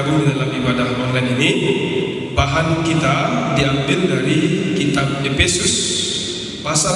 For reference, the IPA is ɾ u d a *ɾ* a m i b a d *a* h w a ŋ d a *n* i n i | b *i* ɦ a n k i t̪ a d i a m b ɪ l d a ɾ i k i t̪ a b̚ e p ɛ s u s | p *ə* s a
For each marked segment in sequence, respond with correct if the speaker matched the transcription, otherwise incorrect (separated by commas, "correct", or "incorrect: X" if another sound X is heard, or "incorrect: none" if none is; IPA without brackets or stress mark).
incorrect: l, correct, correct, incorrect: a, incorrect: a